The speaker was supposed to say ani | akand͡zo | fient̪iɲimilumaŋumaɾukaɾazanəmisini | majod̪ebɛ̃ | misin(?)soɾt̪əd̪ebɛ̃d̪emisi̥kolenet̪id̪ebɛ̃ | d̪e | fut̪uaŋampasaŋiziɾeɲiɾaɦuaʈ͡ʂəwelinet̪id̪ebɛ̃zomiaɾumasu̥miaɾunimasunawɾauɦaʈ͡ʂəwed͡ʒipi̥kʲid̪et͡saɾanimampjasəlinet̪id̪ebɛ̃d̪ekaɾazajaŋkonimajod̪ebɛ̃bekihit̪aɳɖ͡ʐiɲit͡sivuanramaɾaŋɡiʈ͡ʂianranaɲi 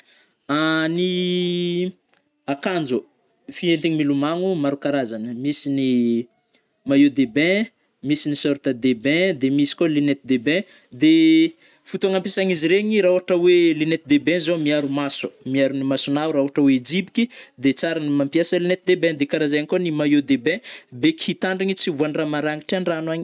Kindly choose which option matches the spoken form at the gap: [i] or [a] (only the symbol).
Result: i